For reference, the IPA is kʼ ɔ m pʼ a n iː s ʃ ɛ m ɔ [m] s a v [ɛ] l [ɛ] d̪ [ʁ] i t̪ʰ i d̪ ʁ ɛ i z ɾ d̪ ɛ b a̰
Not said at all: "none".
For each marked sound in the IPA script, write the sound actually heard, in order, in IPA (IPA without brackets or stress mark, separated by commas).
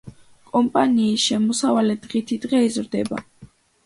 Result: none, a, ɛ, ʁ